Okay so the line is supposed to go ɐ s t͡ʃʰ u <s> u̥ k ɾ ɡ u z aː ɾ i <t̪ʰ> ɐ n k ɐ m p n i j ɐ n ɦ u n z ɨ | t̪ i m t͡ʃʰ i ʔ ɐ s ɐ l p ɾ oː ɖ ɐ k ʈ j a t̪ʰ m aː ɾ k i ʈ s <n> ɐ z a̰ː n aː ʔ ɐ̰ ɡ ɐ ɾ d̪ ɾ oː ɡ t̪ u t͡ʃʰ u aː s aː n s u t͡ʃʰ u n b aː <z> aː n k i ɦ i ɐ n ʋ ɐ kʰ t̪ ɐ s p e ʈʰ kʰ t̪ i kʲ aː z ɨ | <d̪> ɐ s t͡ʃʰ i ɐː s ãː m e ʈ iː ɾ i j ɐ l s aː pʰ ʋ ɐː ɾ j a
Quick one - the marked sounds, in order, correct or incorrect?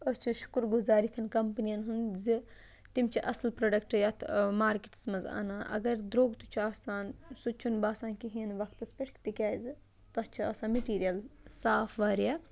incorrect, correct, incorrect, incorrect, incorrect

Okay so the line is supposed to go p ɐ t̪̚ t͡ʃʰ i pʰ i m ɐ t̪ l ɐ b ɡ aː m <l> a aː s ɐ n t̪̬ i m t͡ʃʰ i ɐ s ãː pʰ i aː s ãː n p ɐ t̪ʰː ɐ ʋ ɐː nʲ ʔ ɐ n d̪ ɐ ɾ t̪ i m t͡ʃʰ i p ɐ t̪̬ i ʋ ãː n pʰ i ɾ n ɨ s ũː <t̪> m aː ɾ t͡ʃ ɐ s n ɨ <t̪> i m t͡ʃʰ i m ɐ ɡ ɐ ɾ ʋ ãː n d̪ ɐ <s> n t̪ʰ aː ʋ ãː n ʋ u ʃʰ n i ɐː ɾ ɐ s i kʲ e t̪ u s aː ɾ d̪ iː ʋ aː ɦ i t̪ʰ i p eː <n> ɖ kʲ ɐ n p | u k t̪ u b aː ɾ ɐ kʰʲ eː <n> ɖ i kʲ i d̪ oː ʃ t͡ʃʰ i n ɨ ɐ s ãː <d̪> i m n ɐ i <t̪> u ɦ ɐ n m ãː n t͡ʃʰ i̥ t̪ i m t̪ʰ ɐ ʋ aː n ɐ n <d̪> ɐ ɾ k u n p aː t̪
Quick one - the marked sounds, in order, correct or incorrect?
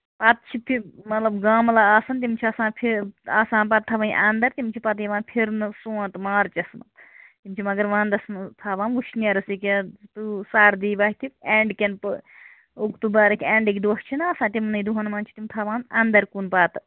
correct, correct, correct, correct, incorrect, incorrect, incorrect, incorrect, correct

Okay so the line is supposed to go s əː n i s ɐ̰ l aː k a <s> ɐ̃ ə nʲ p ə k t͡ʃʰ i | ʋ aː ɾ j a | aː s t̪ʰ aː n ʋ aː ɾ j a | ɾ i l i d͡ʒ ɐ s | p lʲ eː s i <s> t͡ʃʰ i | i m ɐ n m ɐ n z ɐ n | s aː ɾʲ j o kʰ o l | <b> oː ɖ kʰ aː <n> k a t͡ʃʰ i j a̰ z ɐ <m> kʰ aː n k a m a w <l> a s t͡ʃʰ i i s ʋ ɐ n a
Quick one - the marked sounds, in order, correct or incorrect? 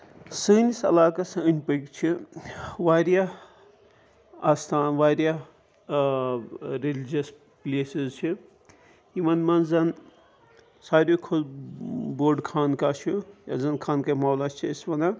correct, incorrect, correct, correct, incorrect, correct

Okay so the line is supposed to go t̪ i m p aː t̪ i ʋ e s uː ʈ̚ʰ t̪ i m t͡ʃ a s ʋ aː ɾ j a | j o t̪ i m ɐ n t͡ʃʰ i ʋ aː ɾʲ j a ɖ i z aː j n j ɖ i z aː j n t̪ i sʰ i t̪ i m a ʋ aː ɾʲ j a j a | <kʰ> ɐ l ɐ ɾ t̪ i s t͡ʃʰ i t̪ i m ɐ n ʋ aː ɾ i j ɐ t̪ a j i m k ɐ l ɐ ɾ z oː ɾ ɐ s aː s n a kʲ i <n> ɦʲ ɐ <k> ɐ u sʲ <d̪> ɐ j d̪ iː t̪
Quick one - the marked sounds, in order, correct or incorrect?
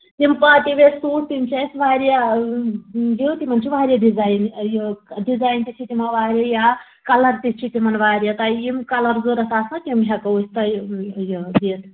incorrect, incorrect, correct, incorrect

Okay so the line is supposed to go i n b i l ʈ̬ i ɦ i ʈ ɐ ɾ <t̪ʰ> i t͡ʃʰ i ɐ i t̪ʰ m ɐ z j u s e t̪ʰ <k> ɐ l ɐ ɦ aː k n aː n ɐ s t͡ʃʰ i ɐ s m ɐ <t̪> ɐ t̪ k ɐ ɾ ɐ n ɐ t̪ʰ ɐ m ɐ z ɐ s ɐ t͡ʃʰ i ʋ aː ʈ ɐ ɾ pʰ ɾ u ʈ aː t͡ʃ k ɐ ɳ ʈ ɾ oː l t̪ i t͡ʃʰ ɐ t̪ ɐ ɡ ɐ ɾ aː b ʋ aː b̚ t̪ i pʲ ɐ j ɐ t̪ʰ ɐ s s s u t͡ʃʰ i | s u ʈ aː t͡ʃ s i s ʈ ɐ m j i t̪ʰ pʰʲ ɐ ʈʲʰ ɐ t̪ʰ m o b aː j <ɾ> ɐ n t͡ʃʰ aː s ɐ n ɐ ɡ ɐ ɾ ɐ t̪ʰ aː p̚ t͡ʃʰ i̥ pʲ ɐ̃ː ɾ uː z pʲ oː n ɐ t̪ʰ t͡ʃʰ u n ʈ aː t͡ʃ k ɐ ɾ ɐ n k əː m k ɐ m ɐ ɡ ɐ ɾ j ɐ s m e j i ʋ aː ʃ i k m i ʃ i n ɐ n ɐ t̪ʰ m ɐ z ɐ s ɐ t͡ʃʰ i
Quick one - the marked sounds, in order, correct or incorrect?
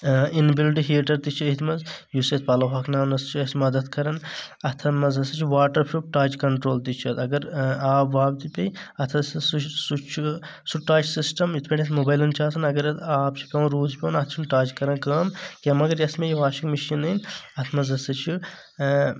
incorrect, incorrect, incorrect, incorrect

